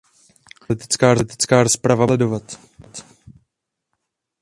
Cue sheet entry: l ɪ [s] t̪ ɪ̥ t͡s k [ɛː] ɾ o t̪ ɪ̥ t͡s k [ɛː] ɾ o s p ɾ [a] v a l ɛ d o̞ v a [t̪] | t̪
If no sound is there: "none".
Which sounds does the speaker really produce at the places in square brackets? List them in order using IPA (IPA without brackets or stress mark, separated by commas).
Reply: none, aː, aː, a, t̪